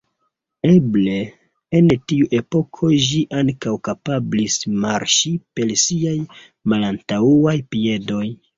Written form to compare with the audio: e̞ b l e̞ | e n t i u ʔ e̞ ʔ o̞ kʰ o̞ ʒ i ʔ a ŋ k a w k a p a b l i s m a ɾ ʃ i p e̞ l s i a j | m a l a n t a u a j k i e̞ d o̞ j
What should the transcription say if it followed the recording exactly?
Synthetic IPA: e̞ b l e̞ | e n t i u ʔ e̞ p o̞ kʰ o̞ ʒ i ʔ a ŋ k a w k a p a b l i s m a ɾ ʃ i p e̞ l s i a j | m a l a n t a u a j p i e̞ d o̞ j